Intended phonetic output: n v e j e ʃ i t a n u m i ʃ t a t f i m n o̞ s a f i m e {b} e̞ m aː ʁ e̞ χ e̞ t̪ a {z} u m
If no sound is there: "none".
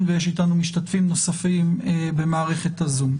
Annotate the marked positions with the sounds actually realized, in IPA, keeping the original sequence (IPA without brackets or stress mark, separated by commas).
b, z